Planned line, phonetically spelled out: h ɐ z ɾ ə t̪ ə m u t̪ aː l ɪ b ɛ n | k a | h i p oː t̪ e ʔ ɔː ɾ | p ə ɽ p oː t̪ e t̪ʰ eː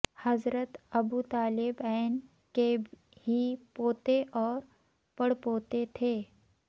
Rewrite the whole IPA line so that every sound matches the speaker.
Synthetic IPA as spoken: h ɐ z ɾ ə t̪ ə b u t̪ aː l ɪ b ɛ n | k e | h i p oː t̪ e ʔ ɔː ɾ | p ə ɽ p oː t̪ e t̪ʰ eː